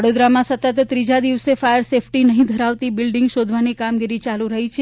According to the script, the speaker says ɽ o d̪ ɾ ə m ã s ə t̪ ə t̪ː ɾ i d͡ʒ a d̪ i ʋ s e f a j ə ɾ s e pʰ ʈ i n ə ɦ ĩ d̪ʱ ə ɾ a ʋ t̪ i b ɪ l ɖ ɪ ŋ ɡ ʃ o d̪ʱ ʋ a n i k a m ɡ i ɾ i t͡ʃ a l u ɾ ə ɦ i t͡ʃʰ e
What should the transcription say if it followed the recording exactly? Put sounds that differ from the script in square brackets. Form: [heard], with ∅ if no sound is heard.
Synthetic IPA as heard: ɽ o d̪ ɾ [a] m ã s ə t̪ ə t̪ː ɾ i d͡ʒ a d̪ i ʋ s e f a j ə ɾ s e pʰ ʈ i n ə ɦ ĩ d̪ʱ ə ɾ a ʋ t̪ i b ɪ l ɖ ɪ ŋ ɡ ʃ o d̪ʱ ʋ a n i k a m ɡ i ɾ i t͡ʃ a l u ɾ ə ɦ i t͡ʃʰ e